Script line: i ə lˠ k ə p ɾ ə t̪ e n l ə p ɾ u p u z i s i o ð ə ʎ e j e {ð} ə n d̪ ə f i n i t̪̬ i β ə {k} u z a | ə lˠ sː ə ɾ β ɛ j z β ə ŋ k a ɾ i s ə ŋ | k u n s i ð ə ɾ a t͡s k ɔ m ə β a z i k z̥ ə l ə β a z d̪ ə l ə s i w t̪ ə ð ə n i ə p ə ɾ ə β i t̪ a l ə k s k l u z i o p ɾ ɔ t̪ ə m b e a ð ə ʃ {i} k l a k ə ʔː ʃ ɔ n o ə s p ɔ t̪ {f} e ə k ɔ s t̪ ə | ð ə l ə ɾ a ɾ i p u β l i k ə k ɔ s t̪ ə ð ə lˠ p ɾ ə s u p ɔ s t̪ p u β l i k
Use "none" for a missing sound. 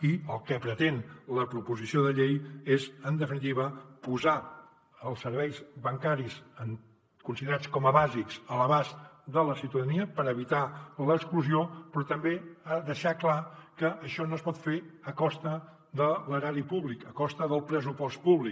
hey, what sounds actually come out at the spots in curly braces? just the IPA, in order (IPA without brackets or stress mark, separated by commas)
z, p, a, f